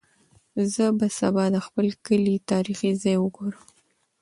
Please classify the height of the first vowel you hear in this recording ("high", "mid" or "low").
mid